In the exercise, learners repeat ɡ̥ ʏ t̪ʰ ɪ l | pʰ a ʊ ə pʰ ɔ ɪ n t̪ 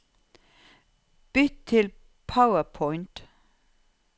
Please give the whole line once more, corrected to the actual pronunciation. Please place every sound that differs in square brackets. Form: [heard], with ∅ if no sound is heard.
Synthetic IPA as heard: [b̥] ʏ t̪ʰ ɪ l | pʰ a ʊ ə pʰ ɔ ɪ n t̪